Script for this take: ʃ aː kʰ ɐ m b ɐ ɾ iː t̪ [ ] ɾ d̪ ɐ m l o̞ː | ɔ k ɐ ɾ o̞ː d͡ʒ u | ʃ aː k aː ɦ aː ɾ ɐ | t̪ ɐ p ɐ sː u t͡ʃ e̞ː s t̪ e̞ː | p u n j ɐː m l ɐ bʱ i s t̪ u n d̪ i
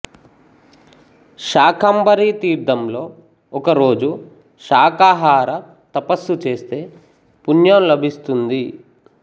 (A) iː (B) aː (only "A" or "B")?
A